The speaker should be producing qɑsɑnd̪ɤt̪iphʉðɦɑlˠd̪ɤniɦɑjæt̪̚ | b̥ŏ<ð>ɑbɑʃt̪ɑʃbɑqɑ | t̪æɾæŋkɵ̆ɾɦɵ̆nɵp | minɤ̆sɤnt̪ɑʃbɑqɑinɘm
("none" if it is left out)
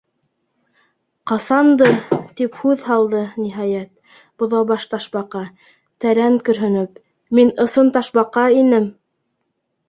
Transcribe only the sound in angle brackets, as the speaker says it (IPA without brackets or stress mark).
ð